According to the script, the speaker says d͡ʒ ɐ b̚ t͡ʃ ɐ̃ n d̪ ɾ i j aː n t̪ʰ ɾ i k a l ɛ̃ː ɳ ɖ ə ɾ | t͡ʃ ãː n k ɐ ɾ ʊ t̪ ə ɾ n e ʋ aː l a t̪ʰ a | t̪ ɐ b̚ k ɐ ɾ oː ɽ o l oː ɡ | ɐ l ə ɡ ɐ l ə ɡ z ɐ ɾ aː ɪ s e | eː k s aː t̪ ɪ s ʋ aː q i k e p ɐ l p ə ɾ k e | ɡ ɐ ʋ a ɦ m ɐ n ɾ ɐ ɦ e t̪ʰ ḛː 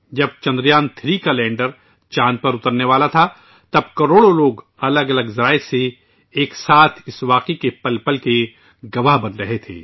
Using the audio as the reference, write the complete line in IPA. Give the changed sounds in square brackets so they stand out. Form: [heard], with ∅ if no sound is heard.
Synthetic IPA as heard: d͡ʒ ɐ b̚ t͡ʃ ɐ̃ n d̪ ɾ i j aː n t̪ʰ ɾ i k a l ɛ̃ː ɳ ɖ ə ɾ | t͡ʃ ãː n [p] ɐ ɾ ʊ t̪ ə ɾ n e ʋ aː l a t̪ʰ a | t̪ ɐ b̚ k ɐ ɾ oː ɽ o l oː ɡ | ɐ l ə ɡ ɐ l ə ɡ z ɐ ɾ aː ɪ s e | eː k s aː [t̪ʰ] ɪ s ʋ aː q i k e p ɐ l p ə [l] k e | ɡ ɐ ʋ a ɦ [b] ɐ n ɾ ɐ ɦ e t̪ʰ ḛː